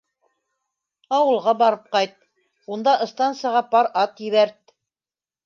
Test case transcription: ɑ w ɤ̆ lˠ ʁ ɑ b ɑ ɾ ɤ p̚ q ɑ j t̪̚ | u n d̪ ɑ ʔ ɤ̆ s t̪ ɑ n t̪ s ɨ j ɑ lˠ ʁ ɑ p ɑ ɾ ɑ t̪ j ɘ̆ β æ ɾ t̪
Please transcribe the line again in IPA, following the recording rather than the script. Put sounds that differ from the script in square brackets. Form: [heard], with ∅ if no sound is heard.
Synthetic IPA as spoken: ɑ w ɤ̆ lˠ ʁ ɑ b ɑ ɾ ɤ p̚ q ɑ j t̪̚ | u n d̪ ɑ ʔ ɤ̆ s t̪ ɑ n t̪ s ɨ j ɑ [∅] ʁ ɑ p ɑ ɾ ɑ t̪ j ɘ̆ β æ ɾ t̪